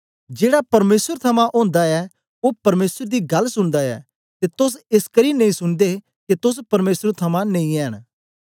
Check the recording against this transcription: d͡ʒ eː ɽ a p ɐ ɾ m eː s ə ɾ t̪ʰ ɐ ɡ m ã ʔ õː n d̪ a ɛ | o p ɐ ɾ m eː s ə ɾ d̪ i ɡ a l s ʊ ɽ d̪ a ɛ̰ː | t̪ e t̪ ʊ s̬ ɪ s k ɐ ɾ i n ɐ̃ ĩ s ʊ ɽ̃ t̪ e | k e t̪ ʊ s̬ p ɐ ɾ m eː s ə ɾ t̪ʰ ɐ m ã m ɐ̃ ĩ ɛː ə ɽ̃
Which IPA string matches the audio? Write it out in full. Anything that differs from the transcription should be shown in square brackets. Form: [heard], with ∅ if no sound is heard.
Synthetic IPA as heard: d͡ʒ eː ɽ a p ɐ ɾ m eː s ə ɾ t̪ʰ ɐ [∅] m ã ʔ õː n d̪ a ɛ | o p ɐ ɾ m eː s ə ɾ d̪ i ɡ [ɐ] l s ʊ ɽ d̪ a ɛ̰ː | t̪ e t̪ ʊ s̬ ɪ s k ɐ ɾ i n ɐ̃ ĩ s ʊ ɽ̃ [d̪] e | k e t̪ ʊ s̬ p ɐ ɾ m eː s ə ɾ t̪ʰ ɐ m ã [n] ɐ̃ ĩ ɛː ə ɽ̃

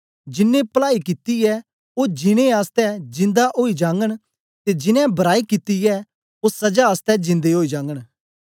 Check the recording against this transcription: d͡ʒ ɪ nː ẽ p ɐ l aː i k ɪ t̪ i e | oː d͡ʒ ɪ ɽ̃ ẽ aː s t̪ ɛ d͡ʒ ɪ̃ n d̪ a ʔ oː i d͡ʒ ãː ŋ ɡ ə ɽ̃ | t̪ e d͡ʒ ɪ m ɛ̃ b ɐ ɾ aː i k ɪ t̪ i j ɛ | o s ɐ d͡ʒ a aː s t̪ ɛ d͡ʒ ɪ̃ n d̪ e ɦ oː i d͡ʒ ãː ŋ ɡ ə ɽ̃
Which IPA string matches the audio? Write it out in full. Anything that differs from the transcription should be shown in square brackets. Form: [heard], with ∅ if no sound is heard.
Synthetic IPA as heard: d͡ʒ ɪ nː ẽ p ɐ l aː i k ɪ t̪ i [ɛ] | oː d͡ʒ ɪ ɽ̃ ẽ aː s t̪ ɛ d͡ʒ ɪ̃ n d̪ a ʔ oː i d͡ʒ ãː ŋ ɡ ə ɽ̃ | t̪ e d͡ʒ ɪ [n] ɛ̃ b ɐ ɾ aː i k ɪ t̪ i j ɛ | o s ɐ d͡ʒ a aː s t̪ ɛ d͡ʒ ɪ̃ n d̪ e ɦ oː i d͡ʒ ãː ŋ ɡ ə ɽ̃

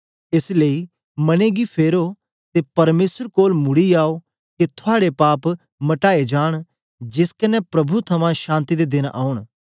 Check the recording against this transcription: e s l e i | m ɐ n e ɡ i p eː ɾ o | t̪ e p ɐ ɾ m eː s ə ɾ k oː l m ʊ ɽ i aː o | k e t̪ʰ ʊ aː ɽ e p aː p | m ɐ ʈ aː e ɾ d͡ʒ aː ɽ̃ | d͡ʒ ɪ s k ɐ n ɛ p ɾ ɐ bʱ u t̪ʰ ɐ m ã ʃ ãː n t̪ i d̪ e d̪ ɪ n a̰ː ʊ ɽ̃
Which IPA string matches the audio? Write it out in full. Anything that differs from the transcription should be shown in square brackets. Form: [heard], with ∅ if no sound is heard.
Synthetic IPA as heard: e s l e i | m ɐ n e ɡ i [pʰ] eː ɾ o | t̪ e p ɐ ɾ m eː s ə ɾ k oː l m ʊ ɽ i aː o | k e t̪ʰ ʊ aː ɽ e p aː p | m ɐ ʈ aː e [∅] d͡ʒ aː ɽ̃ | d͡ʒ ɪ s k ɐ n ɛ p ɾ ɐ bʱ u t̪ʰ ɐ m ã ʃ ãː n t̪ i d̪ e d̪ ɪ n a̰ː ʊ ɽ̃

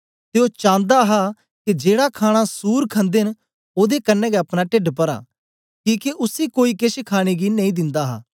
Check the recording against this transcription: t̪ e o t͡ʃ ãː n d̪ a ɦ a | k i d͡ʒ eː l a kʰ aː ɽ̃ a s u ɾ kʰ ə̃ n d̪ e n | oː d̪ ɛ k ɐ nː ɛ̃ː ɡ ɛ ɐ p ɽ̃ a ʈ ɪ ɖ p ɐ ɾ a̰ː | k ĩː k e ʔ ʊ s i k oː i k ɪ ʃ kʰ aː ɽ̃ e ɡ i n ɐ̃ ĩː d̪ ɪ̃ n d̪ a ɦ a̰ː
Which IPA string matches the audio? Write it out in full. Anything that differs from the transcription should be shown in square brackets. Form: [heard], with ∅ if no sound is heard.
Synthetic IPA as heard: t̪ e o t͡ʃ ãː n d̪ a ɦ a | k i d͡ʒ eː [ɽ] a kʰ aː ɽ̃ a s [uː] ɾ kʰ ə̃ n d̪ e n | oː d̪ [e] k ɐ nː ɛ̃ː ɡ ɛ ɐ p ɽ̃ a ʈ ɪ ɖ p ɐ ɾ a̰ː | k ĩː k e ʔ ʊ s i k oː i k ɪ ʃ kʰ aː ɽ̃ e ɡ i n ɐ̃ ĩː d̪ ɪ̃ n d̪ a ɦ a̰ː

